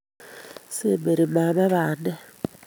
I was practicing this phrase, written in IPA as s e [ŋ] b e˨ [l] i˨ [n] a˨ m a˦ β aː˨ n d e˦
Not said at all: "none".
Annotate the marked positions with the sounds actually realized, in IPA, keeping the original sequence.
m, ɾ, m

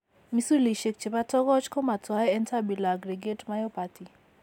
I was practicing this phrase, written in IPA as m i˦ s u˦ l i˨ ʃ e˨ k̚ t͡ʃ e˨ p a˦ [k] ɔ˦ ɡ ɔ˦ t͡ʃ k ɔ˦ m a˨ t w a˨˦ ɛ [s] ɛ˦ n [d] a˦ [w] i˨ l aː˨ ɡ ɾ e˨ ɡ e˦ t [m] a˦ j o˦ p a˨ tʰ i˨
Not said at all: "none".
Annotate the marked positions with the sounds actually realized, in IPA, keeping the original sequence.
t, none, t, b, m

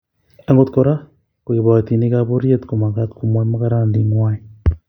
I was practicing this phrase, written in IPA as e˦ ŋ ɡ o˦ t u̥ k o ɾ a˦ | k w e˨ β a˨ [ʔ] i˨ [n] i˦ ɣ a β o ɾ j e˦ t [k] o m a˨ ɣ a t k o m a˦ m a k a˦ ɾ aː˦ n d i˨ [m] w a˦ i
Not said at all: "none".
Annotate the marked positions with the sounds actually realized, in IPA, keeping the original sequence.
t, n, k, ŋ

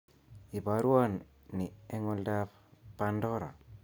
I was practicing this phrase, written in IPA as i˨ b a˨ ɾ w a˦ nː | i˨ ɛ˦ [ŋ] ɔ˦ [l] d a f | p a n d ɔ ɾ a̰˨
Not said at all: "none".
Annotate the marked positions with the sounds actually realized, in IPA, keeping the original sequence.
ŋ, l

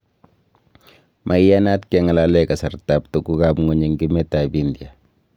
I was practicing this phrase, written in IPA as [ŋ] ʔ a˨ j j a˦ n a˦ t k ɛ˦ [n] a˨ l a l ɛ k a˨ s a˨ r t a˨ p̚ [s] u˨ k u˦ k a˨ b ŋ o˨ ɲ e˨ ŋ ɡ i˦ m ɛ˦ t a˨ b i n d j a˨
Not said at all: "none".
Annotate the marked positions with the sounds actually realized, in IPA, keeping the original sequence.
m, ŋ, t

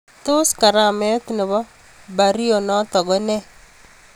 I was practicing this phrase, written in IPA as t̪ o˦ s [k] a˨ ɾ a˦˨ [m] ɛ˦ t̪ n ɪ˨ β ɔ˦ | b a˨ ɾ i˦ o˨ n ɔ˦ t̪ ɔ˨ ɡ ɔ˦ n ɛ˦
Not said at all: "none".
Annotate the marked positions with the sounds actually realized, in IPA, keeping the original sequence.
k, m

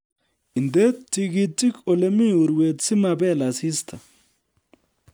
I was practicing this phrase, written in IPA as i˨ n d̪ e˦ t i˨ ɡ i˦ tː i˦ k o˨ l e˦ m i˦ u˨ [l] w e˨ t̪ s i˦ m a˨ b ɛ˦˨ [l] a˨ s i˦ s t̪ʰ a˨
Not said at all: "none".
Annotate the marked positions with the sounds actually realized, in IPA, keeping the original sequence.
ɾ, l

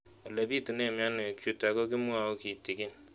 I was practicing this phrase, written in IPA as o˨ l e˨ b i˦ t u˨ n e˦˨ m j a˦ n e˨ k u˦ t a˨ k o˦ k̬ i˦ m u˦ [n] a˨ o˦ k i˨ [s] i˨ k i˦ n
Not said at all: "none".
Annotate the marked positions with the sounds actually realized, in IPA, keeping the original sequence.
none, t

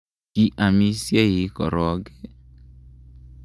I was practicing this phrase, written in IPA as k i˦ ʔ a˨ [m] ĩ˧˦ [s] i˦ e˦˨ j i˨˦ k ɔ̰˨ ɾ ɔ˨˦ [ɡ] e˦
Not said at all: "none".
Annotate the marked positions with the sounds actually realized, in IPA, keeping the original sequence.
m, s, ɡ

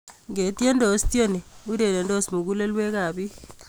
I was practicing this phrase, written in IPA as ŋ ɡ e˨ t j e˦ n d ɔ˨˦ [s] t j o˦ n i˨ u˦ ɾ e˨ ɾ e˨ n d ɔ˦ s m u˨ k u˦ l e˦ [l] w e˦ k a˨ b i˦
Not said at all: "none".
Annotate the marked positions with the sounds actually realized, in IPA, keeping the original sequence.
s, l

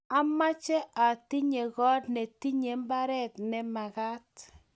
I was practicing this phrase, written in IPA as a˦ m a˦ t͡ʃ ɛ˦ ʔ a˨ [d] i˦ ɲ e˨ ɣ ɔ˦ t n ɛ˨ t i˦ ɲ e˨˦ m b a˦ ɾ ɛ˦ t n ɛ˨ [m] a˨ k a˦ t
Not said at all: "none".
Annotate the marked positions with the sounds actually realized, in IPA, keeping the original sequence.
t, m

